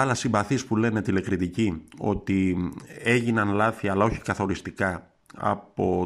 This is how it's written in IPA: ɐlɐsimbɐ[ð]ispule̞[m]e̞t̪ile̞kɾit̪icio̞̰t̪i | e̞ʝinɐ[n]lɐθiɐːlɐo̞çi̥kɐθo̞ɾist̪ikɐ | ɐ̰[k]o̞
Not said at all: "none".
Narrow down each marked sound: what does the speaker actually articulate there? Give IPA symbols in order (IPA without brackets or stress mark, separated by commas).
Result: θ, n, n, p